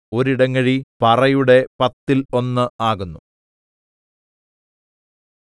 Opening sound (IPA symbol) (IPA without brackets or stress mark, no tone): o̞